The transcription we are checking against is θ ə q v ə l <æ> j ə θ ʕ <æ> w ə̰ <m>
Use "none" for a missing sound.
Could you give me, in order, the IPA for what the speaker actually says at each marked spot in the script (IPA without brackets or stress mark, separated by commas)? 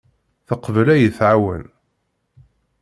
æ, a, n